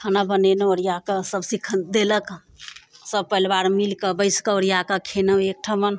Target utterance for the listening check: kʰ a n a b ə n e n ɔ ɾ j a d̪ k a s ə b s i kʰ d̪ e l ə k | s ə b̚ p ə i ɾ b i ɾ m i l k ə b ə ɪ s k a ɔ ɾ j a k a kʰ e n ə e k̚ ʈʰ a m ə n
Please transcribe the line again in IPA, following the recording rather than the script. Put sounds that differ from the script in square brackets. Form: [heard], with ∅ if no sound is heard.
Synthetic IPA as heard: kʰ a n a b ə n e n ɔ ɾ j a [∅] k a s ə b s i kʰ d̪ e l ə k | s ə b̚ p ə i [l] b [a] ɾ m i l k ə b ə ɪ s k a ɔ ɾ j a k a kʰ e n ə e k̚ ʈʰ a m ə n